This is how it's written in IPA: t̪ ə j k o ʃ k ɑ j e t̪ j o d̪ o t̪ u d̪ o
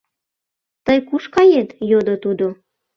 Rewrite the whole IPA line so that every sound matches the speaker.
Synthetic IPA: t̪ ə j k u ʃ k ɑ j e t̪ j o d̪ o t̪ u d̪ o